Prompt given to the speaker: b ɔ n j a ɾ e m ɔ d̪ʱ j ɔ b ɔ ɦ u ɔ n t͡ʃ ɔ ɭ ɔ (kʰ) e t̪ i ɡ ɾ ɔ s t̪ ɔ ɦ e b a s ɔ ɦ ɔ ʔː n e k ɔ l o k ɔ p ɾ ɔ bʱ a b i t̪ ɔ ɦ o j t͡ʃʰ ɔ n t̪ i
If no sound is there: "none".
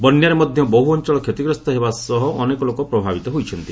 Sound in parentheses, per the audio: kʰ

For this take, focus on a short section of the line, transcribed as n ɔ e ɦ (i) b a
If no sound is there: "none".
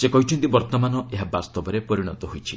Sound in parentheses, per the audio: a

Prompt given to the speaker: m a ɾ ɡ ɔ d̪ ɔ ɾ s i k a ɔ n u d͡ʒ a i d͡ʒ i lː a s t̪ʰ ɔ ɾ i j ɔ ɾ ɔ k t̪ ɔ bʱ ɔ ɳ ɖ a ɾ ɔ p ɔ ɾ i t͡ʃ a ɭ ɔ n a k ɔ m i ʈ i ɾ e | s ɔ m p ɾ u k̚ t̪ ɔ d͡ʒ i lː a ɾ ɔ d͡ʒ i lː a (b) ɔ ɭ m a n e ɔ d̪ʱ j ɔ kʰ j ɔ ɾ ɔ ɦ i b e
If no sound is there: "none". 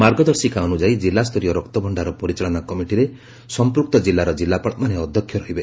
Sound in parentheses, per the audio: p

